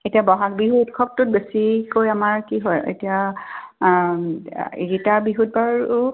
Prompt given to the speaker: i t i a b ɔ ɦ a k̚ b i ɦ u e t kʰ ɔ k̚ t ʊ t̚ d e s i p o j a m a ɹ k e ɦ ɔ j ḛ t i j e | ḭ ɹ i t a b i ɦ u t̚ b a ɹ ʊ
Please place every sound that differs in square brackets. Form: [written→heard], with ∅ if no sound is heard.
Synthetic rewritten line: [i→e] t i a b ɔ ɦ a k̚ b i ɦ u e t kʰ ɔ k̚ t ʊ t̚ [d→b] e s i [p→k] o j a m a ɹ k [e→i] ɦ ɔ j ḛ t i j [e→a] | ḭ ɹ i t a b i ɦ u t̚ b a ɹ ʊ

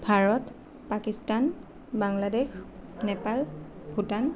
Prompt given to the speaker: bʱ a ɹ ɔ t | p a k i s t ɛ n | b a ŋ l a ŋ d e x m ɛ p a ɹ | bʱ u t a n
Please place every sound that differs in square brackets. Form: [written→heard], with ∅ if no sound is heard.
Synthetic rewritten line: bʱ a ɹ ɔ t | p a k i s t [ɛ→a] n | b a ŋ l a [ŋ→∅] d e x [m→n] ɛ p a [ɹ→l] | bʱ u t a n

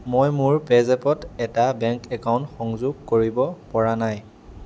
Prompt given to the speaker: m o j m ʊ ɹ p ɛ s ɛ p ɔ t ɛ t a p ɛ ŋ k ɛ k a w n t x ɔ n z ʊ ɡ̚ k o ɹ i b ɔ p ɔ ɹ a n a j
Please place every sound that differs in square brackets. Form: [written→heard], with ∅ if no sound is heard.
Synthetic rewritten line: m o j m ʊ ɹ p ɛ [s→z] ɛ p ɔ t ɛ t a [p→b] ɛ ŋ k ɛ k a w n t x ɔ [n→ŋ] z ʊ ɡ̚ k o ɹ i b ɔ p ɔ ɹ a n a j

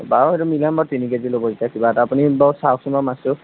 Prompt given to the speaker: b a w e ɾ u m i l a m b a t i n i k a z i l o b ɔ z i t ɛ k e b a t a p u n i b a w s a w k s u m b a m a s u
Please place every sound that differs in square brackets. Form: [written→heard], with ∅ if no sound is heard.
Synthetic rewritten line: b a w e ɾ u m i l a m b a t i n i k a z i l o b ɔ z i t [ɛ→a] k [e→i] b a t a p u n i b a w s a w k s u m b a m a s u

